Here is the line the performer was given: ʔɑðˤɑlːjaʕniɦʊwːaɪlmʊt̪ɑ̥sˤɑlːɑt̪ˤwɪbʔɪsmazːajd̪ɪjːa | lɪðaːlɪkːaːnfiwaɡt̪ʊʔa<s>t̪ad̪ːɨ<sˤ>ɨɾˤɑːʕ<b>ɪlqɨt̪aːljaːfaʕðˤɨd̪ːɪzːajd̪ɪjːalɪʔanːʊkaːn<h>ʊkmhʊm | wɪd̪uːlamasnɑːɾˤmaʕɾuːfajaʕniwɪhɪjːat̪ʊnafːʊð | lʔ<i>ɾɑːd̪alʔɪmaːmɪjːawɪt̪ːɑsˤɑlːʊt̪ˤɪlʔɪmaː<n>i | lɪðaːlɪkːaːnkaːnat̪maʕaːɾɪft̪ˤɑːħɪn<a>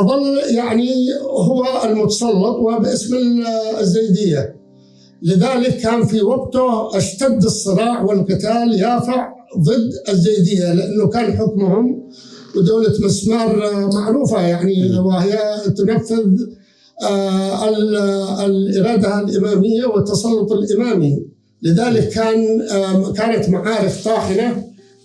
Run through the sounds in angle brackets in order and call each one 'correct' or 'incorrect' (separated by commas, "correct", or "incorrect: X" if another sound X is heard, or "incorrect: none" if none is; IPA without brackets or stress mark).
incorrect: ʃ, incorrect: sˤː, incorrect: w, incorrect: ħ, incorrect: ɪ, incorrect: m, correct